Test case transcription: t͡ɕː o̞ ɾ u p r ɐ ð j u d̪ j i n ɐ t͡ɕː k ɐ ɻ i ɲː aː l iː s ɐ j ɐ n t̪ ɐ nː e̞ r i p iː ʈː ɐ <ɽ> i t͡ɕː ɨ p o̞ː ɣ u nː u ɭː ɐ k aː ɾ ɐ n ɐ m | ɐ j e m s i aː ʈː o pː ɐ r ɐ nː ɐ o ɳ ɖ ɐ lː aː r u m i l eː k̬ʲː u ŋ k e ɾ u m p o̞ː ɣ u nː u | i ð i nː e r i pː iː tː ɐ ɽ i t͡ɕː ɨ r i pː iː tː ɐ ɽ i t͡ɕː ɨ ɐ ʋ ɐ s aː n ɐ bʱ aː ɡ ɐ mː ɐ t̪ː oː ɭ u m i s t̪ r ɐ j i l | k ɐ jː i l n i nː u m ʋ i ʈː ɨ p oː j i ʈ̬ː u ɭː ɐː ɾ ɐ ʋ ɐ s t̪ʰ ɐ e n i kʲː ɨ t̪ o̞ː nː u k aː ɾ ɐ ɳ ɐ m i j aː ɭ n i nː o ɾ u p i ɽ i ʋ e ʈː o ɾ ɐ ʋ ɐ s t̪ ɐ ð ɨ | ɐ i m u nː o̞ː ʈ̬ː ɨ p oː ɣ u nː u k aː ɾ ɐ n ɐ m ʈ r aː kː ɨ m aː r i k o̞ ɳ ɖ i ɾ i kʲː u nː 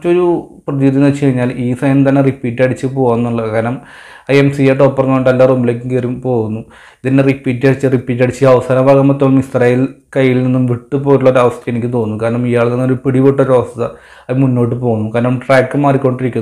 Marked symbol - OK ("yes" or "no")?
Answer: yes